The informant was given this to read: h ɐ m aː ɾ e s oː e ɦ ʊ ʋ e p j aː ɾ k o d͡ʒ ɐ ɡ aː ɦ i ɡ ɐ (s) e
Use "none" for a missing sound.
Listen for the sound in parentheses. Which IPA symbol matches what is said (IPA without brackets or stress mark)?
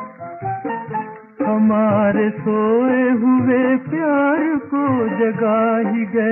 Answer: none